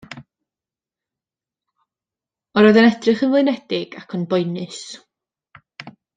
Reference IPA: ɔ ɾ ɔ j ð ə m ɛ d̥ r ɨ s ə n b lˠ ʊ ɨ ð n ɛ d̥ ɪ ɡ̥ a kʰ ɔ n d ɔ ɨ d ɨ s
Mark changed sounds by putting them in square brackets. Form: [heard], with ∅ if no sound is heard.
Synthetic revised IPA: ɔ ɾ ɔ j ð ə [n] ɛ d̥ r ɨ [χ] ə n [v] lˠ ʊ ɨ [∅] n ɛ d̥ ɪ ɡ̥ a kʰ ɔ n [b] ɔ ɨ [n] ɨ s